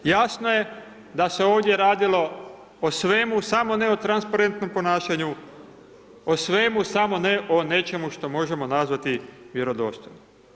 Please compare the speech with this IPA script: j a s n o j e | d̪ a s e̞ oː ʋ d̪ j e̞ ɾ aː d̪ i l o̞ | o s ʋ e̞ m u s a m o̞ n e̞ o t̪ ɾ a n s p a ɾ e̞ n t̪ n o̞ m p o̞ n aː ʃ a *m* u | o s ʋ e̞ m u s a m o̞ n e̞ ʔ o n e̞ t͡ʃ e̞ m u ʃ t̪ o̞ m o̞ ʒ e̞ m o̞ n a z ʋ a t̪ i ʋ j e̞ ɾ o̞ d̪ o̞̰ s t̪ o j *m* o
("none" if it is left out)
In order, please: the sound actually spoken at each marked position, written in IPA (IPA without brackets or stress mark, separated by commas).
ɲ, n